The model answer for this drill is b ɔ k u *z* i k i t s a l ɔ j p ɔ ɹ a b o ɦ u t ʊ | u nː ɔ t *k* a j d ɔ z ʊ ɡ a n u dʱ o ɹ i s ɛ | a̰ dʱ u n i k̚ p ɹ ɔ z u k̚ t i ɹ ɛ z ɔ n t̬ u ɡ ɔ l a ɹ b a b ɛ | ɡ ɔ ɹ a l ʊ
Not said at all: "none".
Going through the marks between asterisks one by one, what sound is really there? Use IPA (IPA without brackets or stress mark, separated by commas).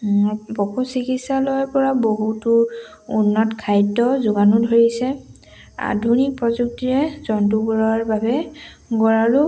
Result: s, kʰ